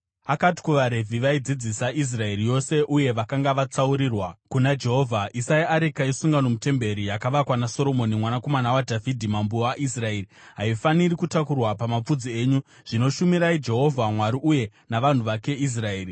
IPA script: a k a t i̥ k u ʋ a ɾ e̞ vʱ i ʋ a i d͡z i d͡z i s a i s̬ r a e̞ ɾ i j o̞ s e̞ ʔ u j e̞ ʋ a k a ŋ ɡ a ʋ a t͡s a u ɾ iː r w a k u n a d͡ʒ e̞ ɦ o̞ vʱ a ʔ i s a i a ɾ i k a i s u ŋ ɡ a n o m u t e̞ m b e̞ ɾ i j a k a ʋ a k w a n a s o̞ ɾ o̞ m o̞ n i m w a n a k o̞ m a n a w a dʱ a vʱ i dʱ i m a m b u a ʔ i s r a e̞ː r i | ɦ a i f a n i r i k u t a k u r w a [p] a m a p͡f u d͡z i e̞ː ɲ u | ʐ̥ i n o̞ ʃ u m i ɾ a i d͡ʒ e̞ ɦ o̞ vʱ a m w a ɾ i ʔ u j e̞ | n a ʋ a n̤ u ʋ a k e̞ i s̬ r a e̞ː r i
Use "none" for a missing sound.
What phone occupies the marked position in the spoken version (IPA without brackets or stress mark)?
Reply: p